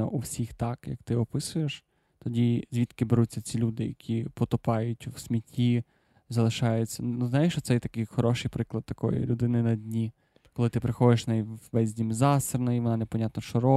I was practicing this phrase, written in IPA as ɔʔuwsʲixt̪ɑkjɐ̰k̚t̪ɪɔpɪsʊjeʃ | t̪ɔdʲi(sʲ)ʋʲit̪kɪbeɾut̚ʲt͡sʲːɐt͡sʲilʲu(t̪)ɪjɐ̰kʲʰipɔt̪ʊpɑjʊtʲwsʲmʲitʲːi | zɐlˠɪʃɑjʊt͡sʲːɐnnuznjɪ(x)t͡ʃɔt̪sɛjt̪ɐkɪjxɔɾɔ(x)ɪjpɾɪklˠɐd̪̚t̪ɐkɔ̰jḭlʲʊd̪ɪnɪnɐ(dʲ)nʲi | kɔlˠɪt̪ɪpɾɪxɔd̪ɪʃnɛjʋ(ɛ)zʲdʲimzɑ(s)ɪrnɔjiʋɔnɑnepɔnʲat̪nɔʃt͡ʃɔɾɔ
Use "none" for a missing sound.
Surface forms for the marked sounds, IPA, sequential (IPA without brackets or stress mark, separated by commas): zʲ, d̪, ʃ, ʃ, dʲ, ɛ, s